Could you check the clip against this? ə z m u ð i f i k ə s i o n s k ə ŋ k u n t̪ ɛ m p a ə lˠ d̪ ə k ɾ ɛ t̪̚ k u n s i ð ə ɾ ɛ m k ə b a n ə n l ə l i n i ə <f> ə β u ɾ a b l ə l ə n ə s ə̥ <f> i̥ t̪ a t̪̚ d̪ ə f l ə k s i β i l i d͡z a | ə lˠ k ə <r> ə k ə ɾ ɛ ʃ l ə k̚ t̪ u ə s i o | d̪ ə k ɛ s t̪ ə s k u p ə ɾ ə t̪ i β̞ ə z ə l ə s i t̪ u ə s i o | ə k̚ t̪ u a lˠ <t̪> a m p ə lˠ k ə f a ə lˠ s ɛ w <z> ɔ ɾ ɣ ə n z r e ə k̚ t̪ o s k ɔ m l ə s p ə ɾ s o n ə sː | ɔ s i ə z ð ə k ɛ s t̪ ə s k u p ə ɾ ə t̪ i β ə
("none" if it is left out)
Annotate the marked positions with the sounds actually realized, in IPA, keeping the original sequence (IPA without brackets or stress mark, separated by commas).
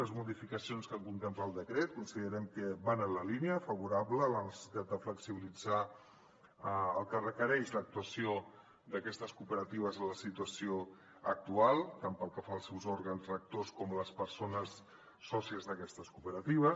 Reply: f, s, r, t̪, z